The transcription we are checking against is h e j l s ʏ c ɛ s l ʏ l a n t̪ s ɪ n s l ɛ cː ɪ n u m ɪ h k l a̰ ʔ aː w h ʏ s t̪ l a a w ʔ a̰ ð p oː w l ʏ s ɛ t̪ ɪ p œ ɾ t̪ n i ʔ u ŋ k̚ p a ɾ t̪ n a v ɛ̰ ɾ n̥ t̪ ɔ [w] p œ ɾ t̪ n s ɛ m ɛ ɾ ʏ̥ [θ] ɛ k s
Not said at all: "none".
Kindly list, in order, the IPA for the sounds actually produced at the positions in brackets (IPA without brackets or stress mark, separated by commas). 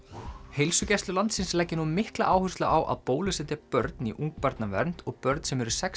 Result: ɣ, s